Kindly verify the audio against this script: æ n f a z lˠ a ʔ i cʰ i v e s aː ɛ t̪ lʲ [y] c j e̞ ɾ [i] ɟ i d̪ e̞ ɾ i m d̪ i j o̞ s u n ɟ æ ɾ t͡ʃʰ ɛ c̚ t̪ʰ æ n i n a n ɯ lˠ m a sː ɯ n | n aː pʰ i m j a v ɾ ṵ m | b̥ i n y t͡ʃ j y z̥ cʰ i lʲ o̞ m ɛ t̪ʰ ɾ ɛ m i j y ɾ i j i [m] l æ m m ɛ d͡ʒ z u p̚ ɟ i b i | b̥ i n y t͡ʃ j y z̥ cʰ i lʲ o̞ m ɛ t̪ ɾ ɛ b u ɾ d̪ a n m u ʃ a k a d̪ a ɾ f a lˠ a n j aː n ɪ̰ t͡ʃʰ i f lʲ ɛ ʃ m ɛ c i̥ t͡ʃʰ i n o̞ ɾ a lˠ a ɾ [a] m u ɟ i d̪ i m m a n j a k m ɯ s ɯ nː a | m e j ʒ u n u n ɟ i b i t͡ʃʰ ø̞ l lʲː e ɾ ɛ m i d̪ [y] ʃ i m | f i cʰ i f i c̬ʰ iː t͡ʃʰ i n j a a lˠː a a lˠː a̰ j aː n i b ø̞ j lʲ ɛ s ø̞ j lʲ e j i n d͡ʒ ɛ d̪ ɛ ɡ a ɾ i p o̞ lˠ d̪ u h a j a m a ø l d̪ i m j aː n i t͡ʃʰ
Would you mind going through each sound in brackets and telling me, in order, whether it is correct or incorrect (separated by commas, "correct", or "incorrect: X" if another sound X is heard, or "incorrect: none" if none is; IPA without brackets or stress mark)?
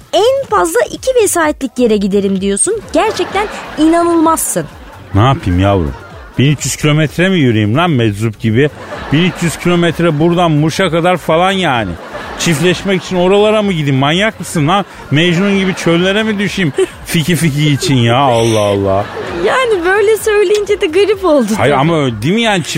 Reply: incorrect: i, incorrect: ɛ, correct, correct, correct